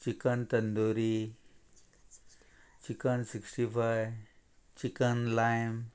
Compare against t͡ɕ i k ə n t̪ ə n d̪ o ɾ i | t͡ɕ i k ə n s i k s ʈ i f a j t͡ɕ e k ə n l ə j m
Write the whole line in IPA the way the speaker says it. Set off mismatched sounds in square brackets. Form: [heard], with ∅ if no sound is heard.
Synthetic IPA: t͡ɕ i k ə n t̪ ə n d̪ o ɾ i | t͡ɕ i k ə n s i k s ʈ i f a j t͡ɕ [i] k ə n l [a] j m